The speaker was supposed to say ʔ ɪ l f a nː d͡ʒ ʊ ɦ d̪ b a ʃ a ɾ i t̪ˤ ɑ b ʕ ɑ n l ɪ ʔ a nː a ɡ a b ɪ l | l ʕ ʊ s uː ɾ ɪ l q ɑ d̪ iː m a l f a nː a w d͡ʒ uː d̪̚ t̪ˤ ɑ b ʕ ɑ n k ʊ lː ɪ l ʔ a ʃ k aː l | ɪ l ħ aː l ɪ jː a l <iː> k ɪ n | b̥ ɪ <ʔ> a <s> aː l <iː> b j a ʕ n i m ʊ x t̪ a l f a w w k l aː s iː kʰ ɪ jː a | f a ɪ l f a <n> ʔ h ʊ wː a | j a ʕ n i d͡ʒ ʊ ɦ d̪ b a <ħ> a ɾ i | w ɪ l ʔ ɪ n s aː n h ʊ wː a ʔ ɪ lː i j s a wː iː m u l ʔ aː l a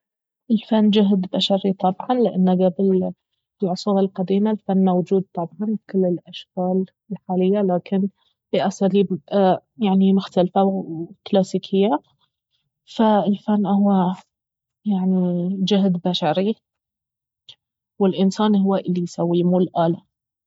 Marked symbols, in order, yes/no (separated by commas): no, yes, yes, yes, no, no